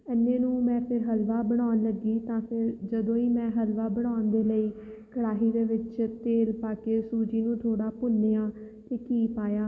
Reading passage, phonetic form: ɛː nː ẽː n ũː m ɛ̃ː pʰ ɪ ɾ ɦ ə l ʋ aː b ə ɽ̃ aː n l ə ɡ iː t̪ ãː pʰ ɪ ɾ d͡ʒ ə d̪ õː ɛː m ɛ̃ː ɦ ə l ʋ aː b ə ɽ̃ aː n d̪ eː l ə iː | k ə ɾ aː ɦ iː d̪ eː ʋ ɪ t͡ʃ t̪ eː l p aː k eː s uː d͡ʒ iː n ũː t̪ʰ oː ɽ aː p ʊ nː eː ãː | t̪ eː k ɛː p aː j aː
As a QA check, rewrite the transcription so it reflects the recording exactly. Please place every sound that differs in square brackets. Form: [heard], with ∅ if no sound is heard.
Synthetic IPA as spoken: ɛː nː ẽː n ũː m ɛ̃ː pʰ ɪ ɾ ɦ ə l ʋ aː b ə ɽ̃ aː n l ə ɡ iː t̪ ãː pʰ ɪ ɾ d͡ʒ ə d̪ õː [iː] m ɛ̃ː ɦ ə l ʋ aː b ə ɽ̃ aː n d̪ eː l ə iː | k ə [ɽ] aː ɦ iː d̪ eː ʋ ɪ t͡ʃ t̪ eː l p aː k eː s uː d͡ʒ iː n ũː t̪ʰ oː ɽ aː p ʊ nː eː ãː | t̪ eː k [iː] p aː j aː